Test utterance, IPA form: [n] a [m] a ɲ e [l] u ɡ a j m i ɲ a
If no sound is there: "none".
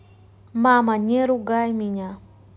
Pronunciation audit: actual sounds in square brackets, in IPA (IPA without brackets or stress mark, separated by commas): m, m, ɾ